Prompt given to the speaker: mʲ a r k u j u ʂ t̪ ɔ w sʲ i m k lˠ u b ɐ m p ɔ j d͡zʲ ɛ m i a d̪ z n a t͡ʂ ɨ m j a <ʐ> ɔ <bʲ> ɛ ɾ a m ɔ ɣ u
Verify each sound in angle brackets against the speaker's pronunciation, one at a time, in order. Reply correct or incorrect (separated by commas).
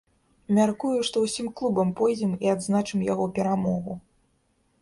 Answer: incorrect, incorrect